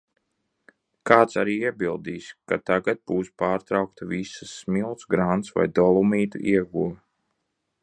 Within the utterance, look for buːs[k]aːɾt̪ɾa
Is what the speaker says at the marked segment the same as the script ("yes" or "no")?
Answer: no